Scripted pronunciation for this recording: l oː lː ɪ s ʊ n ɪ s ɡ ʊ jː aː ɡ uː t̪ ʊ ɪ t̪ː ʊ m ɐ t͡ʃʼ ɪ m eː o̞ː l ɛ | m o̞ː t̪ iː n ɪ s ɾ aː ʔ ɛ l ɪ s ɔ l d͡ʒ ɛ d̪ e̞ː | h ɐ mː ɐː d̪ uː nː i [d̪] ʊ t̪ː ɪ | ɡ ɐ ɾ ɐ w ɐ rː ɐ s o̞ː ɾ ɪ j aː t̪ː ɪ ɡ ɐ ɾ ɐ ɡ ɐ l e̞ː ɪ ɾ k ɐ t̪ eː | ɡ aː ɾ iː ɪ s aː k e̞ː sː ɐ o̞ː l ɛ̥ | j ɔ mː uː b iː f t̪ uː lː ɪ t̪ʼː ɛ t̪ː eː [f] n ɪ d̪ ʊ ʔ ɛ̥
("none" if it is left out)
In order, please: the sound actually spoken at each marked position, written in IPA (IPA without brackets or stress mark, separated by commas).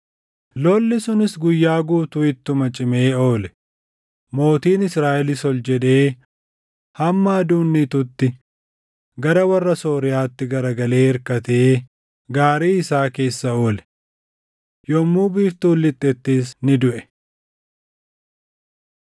t̪, s